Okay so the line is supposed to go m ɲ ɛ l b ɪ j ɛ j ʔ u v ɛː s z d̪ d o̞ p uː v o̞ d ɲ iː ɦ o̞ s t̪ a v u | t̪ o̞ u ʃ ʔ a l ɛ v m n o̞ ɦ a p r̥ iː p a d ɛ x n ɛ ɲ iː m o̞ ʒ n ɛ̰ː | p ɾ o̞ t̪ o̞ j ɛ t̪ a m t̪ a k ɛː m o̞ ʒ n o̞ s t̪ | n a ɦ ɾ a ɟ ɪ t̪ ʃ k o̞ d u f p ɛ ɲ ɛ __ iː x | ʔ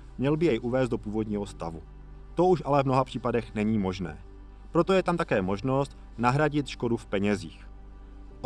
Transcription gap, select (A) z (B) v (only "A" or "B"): A